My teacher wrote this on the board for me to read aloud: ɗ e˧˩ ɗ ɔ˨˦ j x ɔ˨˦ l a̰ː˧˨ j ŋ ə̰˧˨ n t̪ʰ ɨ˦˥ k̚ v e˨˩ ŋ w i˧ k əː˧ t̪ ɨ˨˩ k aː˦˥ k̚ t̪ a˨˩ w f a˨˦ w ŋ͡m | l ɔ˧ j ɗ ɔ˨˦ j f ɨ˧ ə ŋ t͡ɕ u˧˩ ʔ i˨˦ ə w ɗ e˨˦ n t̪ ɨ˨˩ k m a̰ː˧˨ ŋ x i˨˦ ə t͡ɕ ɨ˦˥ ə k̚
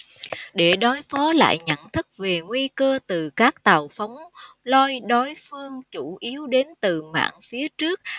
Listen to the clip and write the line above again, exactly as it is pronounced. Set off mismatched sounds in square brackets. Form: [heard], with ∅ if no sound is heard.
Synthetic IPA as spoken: ɗ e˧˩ ɗ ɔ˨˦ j [f] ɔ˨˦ l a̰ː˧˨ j [ɲ] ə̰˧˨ n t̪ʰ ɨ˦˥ k̚ v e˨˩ ŋ w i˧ k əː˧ t̪ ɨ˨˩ k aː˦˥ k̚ t̪ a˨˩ w f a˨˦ w ŋ͡m | l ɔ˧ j ɗ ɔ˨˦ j f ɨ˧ ə ŋ t͡ɕ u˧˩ ʔ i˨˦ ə w ɗ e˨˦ n t̪ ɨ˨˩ [∅] m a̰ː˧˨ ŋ [f] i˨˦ ə t͡ɕ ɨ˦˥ ə k̚

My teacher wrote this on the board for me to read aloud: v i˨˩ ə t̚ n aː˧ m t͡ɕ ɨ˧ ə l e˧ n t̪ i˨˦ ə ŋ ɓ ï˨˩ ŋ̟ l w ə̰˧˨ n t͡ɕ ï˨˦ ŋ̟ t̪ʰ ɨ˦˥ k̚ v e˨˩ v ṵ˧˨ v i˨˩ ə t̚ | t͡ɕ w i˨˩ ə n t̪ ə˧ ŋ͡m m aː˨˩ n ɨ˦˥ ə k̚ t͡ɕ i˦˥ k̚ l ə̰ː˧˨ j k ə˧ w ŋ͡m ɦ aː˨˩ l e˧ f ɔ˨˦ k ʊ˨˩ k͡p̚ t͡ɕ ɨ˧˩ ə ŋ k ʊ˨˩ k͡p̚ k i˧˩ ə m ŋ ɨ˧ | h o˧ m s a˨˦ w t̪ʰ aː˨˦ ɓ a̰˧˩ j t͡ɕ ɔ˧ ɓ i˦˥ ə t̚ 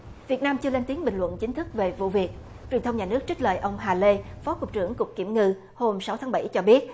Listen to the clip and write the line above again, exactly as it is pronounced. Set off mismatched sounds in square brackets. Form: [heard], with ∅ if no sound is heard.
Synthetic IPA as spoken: v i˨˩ ə t̚ n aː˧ m t͡ɕ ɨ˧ ə l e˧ n t̪ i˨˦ ə ŋ ɓ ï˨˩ ŋ̟ l w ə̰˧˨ n t͡ɕ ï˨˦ ŋ̟ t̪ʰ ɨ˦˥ k̚ v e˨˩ v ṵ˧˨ v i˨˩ ə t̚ | t͡ɕ w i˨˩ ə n t̪ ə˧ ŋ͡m [ɲ] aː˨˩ n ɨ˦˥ ə k̚ t͡ɕ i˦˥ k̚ l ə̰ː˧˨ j [ʔ] ə˧ w ŋ͡m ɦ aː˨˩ l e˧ f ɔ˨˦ k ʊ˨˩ k͡p̚ t͡ɕ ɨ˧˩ ə ŋ k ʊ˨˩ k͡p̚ k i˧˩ ə m ŋ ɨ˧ | h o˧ m s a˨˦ w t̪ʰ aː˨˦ ɓ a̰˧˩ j t͡ɕ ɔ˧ ɓ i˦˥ ə t̚

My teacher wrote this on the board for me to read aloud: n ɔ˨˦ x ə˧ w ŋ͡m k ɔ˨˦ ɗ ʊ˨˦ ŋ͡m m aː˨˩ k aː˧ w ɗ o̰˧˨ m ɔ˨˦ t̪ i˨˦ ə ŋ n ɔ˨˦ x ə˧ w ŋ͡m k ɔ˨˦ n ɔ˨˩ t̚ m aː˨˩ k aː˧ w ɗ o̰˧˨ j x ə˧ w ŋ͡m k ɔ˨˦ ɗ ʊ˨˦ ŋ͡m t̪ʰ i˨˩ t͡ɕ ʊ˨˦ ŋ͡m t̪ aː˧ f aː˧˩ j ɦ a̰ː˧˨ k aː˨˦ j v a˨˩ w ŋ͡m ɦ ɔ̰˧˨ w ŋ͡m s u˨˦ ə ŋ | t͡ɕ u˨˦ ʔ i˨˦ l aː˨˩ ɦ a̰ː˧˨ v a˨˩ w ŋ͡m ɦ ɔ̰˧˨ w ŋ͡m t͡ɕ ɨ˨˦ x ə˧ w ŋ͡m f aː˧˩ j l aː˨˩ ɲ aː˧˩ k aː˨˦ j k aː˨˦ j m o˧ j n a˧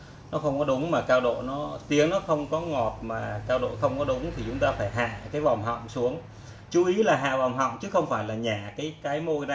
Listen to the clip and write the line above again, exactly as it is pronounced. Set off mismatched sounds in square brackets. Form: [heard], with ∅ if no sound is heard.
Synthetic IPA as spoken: n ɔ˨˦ x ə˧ w ŋ͡m k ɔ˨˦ ɗ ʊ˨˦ ŋ͡m m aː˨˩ k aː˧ w ɗ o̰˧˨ [n] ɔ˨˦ t̪ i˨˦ ə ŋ n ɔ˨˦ x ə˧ w ŋ͡m k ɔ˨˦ [ŋ] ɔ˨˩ t̚ m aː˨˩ k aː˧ w ɗ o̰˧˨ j x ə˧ w ŋ͡m k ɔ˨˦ ɗ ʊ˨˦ ŋ͡m t̪ʰ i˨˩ t͡ɕ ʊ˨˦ ŋ͡m t̪ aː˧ f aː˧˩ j ɦ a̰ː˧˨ k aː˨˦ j v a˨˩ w ŋ͡m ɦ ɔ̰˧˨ w ŋ͡m s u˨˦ ə ŋ | t͡ɕ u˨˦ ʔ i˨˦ l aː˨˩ ɦ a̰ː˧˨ v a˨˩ w ŋ͡m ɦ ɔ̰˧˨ w ŋ͡m t͡ɕ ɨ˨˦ x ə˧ w ŋ͡m f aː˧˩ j l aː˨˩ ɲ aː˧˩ k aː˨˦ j k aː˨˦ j m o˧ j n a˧

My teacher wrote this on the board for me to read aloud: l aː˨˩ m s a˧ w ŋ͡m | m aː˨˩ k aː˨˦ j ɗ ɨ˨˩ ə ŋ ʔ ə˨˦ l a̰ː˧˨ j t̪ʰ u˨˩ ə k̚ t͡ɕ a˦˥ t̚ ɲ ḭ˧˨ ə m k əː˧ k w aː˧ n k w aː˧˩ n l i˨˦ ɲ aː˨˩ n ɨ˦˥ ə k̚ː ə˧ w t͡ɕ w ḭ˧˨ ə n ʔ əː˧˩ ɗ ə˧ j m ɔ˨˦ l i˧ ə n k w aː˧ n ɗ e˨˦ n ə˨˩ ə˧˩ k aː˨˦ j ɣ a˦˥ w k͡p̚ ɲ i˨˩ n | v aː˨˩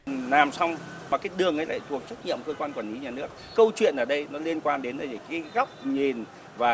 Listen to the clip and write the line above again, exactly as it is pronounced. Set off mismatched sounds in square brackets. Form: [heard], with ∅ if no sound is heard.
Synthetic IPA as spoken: l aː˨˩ m s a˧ w ŋ͡m | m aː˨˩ k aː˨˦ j ɗ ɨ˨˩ ə ŋ ʔ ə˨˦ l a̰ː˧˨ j t̪ʰ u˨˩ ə k̚ t͡ɕ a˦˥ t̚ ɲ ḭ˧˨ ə m k əː˧ k w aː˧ n k w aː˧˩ n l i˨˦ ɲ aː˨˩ n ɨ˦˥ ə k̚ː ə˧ w t͡ɕ w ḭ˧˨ ə n ʔ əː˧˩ ɗ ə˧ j [n] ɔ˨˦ l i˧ ə n k w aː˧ n ɗ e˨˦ n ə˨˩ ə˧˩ k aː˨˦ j ɣ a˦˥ w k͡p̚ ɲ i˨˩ n | v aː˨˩

